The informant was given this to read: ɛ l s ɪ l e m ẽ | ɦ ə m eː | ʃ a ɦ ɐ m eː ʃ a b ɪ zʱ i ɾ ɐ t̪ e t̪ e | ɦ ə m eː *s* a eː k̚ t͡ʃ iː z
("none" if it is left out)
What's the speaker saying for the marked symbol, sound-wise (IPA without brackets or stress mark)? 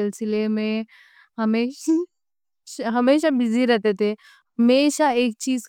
ʃ